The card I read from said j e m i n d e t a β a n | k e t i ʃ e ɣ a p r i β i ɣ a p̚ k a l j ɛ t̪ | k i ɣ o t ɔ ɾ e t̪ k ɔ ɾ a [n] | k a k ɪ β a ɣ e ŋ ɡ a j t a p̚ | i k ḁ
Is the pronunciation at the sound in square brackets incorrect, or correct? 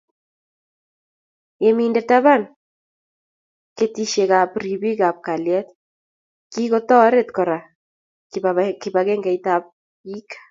incorrect